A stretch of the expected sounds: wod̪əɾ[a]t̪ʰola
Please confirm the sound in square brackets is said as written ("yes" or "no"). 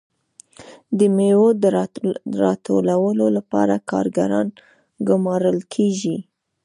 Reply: no